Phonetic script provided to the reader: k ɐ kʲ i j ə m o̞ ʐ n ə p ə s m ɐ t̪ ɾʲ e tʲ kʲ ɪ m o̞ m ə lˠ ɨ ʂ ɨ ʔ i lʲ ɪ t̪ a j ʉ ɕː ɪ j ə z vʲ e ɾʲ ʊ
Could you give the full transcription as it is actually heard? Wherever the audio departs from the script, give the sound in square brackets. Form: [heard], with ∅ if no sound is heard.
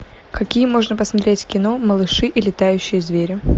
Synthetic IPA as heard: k ɐ kʲ i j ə m o̞ ʐ n ə p ə s m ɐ t̪ ɾʲ e tʲ kʲ ɪ [n] o̞ m ə lˠ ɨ ʂ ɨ ʔ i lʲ ɪ t̪ a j ʉ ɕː ɪ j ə z vʲ e ɾʲ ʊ